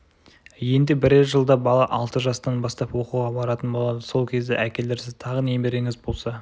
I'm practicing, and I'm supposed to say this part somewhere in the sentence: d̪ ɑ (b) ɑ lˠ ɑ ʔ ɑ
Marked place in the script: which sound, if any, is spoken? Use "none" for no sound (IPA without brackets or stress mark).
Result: b